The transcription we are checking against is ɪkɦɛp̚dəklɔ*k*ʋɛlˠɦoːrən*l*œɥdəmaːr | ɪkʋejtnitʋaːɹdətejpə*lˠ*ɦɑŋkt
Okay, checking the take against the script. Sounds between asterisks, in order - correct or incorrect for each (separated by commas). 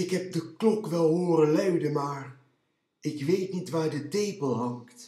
correct, correct, correct